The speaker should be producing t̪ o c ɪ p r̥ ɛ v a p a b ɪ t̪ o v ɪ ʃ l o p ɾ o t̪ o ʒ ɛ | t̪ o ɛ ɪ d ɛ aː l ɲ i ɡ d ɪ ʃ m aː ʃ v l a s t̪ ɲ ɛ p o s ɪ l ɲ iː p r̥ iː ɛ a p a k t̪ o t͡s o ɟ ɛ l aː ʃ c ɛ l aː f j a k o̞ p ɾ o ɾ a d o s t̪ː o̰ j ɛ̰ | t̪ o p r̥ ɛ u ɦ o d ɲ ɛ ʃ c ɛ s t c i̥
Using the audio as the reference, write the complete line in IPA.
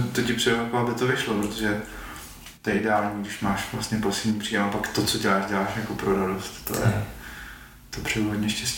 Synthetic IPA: t̪ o c ɪ p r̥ ɛ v a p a b ɪ t̪ o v ɪ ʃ l o p ɾ o t̪ o ʒ ɛ | t̪ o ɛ ɪ d ɛ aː l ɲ i ɡ d ɪ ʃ m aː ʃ v l a s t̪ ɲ ɛ p o s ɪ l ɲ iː p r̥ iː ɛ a p a k t̪ o t͡s o ɟ ɛ l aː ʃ ɟ ɛ l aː ʃ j a k o̞ p ɾ o ɾ a d o s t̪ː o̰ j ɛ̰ | t̪ o p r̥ ɛ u ɦ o d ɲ ɛ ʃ c ɛ s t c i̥